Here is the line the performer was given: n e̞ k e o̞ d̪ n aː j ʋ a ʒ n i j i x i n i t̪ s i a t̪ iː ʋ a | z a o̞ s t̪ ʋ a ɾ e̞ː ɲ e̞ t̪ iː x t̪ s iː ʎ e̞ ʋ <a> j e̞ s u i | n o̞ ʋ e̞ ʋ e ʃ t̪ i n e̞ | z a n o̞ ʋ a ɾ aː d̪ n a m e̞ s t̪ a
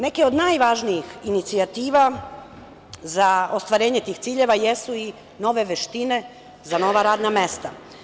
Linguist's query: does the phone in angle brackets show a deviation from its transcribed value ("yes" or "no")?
no